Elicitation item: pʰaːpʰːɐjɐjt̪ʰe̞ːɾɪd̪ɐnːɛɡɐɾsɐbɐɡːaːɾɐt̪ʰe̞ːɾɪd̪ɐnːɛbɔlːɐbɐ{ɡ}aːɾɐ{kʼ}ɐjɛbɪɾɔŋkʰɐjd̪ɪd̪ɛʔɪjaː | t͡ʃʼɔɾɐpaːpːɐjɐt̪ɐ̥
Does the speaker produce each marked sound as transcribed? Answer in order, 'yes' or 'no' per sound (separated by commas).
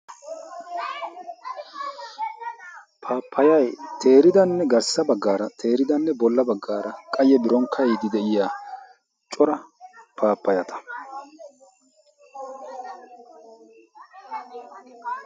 no, yes